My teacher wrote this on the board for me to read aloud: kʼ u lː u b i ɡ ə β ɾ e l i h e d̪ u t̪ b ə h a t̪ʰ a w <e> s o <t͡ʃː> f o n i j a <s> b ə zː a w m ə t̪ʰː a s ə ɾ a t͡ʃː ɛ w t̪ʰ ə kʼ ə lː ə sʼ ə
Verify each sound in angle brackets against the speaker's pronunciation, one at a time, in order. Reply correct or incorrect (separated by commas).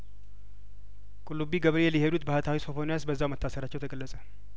incorrect, incorrect, correct